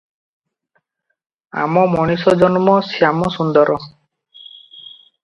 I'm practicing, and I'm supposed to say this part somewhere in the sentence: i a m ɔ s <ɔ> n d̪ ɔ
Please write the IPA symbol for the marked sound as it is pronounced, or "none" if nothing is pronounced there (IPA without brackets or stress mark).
u